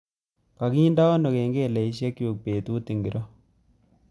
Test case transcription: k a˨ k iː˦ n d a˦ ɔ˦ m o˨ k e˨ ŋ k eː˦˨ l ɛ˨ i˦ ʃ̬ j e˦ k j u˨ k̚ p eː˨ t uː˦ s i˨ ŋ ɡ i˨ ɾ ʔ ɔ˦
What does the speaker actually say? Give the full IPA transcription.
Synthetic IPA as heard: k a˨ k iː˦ n d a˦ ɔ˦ n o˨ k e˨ ŋ ɡ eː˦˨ l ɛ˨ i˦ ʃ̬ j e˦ k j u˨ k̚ p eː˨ t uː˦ t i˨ ŋ ɡ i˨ ɾ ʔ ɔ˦